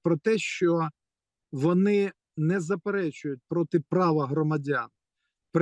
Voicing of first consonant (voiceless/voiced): voiceless